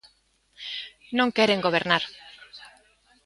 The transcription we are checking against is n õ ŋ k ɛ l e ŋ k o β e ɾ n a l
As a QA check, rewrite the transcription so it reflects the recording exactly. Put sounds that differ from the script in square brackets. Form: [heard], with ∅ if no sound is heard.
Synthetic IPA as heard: n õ ŋ k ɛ [ɾ] e ŋ [ɡ] o β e ɾ n a [ɾ]